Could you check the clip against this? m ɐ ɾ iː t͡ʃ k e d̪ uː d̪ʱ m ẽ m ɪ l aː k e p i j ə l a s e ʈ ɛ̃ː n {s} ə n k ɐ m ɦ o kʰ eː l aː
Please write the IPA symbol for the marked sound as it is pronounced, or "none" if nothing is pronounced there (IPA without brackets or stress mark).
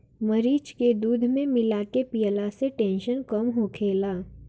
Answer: ʃ